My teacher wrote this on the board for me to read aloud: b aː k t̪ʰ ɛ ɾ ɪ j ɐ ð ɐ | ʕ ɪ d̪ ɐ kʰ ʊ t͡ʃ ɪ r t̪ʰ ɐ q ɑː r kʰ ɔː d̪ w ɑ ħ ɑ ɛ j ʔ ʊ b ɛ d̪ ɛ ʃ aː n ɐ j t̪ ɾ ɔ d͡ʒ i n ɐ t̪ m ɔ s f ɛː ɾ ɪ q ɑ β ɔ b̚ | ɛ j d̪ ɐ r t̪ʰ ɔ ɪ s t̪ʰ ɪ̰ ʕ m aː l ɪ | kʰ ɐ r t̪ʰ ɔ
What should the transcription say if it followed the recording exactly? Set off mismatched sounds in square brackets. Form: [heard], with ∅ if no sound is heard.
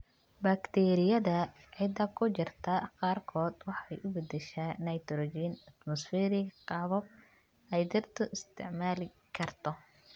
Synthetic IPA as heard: b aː k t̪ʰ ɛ ɾ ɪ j ɐ ð ɐ | ʕ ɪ d̪ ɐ kʰ ʊ t͡ʃ ɪ r t̪ʰ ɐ q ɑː r kʰ ɔː d̪ w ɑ ħ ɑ ɛ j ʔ ʊ b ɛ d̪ ɛ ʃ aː n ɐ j t̪ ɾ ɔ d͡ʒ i n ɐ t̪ m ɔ s f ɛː ɾ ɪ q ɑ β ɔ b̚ | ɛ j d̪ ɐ r t̪ʰ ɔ ɪ s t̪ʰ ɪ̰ ʕ m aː l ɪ | kʰ ɐ r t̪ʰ ɔ